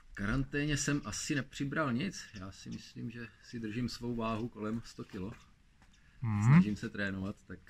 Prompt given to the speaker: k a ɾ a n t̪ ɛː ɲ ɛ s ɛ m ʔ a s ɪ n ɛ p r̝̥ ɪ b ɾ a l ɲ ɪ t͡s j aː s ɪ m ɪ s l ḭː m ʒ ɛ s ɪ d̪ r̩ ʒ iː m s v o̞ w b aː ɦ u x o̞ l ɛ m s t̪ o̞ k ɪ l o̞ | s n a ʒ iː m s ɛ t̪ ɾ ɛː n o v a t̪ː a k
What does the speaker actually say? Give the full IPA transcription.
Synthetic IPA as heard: k a ɾ a n t̪ ɛː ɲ ɛ s ɛ m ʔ a s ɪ n ɛ p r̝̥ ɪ b ɾ a l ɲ ɪ t͡s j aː s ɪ m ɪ s l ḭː m ʒ ɛ s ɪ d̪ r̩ ʒ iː m s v o̞ w v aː ɦ u k o̞ l ɛ m s t̪ o̞ k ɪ l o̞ | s n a ʒ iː m s ɛ t̪ ɾ ɛː n o v a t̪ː a k